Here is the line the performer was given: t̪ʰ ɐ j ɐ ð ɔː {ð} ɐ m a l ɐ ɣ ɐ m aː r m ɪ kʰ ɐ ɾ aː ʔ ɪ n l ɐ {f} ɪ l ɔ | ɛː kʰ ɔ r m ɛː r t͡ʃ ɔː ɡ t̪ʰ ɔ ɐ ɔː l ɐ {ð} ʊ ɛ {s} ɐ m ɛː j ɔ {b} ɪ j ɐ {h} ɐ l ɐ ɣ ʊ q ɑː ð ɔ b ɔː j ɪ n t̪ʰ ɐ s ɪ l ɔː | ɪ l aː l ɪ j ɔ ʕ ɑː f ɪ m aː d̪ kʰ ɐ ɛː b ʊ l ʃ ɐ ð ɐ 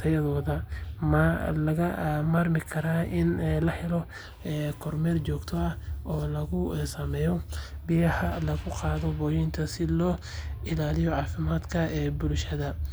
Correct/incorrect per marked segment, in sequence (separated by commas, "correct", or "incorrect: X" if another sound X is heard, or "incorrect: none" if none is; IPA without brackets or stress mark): correct, incorrect: ħ, incorrect: ɣ, correct, correct, correct